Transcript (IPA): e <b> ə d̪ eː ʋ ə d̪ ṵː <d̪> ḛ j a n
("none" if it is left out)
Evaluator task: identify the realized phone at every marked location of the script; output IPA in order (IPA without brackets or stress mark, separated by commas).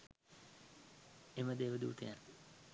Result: m, t̪